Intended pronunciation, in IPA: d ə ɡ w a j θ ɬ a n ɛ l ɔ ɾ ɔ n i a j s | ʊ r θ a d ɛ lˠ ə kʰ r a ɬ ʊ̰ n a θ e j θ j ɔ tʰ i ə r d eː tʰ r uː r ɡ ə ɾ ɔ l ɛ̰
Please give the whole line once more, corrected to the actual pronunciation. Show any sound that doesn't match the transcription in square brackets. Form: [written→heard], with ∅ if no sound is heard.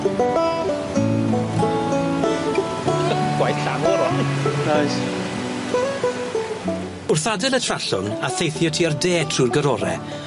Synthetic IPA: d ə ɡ w a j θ ɬ a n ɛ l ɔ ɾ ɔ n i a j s | ʊ r θ a d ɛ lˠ ə [kʰ→tʰ] r a ɬ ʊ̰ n a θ e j θ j ɔ tʰ i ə r d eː tʰ r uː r ɡ ə ɾ ɔ [l→ɾ] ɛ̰